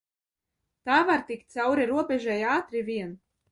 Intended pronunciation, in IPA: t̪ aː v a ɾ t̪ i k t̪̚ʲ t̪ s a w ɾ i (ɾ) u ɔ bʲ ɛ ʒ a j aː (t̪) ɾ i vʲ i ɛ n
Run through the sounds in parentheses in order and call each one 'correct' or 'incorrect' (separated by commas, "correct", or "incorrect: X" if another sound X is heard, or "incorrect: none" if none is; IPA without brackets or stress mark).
correct, correct